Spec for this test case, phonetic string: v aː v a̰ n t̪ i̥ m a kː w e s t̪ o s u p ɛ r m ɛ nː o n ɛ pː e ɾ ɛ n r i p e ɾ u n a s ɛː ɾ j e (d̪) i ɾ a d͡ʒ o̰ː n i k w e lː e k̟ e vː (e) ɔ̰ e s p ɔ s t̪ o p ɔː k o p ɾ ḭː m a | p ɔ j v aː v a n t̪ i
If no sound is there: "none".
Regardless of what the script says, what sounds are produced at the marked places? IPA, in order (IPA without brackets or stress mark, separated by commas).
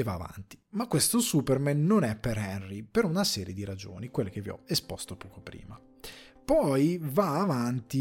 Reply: d̪, i